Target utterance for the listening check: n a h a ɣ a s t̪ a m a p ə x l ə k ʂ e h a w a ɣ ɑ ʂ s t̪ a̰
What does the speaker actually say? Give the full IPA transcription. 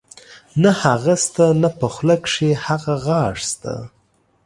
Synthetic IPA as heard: n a h a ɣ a s t̪ a n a p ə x l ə k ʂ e h a ɣ a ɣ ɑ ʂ s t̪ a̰